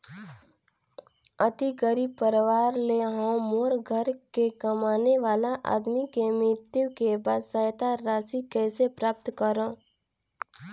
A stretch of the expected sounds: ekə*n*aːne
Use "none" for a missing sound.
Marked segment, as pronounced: m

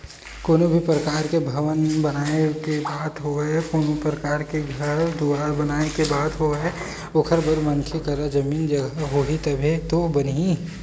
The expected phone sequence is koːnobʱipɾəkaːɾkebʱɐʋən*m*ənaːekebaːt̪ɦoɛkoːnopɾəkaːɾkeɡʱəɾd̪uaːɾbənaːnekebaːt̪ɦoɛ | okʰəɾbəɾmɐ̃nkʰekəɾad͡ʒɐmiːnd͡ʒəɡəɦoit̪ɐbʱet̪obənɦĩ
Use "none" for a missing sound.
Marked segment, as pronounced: b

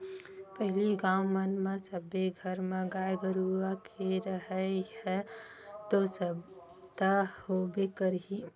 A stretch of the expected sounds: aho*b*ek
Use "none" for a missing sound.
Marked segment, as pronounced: b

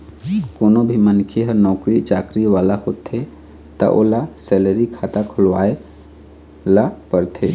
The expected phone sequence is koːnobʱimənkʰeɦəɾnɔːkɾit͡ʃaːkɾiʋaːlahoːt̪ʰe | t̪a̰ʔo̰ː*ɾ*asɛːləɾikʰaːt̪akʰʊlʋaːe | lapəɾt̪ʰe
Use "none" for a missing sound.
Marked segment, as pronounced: l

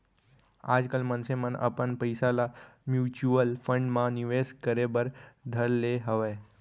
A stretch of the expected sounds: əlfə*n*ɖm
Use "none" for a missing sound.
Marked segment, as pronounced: ɳ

